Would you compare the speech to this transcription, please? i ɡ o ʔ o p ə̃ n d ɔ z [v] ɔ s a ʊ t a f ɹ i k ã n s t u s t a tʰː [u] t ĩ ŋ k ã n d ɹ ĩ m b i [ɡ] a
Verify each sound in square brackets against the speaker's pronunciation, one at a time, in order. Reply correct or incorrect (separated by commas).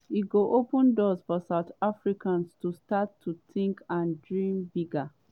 incorrect, correct, correct